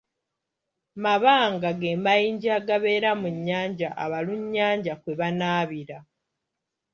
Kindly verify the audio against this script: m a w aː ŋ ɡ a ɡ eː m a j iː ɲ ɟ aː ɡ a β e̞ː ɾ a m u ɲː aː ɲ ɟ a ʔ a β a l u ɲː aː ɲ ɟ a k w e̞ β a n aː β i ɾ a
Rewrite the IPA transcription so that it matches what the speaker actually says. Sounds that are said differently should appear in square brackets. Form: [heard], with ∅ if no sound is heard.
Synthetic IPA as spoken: m a [β] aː ŋ ɡ a ɡ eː m a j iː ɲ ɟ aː ɡ a β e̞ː ɾ a m u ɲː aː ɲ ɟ a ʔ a β a l u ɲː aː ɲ ɟ a k w e̞ β a n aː β i ɾ a